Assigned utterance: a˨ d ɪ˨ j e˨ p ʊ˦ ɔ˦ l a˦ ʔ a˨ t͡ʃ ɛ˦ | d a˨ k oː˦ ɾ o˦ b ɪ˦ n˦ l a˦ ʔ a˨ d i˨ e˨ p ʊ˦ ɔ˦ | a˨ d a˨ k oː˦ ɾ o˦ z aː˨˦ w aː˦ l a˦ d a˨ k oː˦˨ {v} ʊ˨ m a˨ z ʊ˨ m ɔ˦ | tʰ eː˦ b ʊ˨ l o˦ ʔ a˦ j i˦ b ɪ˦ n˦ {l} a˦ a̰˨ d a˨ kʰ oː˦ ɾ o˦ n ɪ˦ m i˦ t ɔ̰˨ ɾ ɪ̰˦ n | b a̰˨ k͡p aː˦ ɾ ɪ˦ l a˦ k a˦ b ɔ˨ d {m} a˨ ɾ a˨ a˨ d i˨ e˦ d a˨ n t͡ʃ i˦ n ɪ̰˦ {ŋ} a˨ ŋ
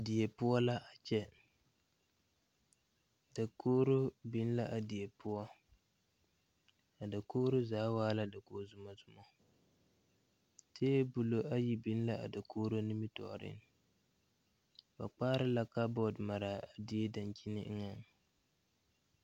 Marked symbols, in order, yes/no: no, yes, yes, yes

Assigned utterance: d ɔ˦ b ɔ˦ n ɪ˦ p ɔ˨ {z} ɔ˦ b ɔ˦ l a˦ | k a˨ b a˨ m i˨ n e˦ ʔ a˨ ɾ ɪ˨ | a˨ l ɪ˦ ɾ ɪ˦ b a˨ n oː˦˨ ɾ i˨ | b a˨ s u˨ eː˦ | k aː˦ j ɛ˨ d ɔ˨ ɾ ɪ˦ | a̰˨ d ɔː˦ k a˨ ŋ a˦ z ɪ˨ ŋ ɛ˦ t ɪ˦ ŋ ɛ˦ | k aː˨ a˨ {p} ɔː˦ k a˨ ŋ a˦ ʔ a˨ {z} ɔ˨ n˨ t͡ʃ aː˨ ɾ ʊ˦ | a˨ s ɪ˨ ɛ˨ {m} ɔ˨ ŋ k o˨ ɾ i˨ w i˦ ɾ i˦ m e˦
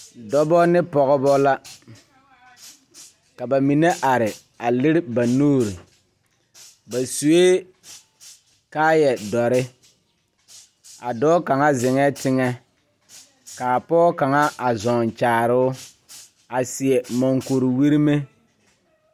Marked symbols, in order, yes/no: no, yes, yes, yes

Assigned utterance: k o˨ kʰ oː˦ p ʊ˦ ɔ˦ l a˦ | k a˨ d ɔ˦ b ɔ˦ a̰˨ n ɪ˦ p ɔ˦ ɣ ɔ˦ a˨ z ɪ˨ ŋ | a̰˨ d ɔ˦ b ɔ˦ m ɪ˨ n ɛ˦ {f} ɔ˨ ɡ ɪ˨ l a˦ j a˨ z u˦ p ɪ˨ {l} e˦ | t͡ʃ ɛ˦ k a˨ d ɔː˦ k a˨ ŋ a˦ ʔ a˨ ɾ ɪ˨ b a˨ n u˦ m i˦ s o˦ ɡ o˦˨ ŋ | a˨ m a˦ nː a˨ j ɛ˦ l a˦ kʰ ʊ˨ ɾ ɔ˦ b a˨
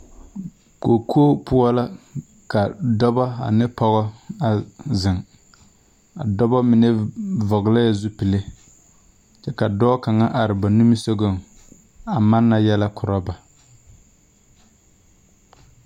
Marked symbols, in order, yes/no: no, yes

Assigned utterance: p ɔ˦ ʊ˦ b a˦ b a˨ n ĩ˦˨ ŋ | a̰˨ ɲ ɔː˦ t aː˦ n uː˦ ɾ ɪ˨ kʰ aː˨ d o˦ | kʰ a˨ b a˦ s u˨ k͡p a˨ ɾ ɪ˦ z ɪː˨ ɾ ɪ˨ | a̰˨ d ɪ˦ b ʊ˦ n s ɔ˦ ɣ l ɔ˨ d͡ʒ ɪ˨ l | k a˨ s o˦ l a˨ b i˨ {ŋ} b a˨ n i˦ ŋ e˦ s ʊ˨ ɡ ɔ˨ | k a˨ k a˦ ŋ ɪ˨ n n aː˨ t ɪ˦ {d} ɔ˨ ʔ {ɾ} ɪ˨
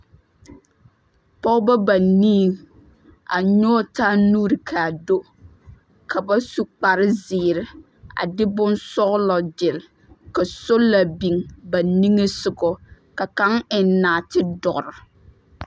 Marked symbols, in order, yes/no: yes, yes, yes

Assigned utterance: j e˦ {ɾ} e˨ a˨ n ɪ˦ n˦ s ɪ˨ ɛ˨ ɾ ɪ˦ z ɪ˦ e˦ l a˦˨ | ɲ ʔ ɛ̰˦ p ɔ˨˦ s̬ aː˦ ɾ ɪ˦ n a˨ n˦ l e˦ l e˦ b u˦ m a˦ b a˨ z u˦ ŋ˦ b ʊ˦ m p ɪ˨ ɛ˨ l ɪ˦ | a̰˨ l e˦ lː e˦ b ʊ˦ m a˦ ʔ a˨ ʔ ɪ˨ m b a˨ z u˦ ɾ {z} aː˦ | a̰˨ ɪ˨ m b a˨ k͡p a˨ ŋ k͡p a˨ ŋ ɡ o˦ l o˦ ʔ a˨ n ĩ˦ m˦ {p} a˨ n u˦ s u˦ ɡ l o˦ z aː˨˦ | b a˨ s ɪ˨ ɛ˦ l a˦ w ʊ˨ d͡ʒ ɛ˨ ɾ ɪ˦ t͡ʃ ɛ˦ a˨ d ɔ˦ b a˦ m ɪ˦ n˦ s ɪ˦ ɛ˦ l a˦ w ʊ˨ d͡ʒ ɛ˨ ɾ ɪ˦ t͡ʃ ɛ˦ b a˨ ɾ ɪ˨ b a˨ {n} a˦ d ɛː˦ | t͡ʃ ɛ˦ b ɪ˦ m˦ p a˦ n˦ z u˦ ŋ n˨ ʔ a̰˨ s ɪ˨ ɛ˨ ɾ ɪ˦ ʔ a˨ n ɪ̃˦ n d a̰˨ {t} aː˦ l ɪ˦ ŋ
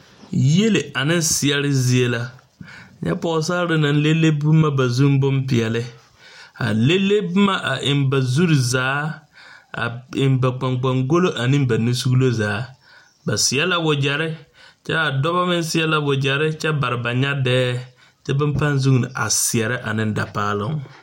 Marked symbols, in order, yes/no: no, yes, no, no, no

